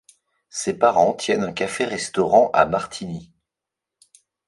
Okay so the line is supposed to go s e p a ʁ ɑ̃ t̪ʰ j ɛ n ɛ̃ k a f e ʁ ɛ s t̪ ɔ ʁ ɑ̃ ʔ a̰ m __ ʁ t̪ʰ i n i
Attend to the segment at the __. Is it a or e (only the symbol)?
a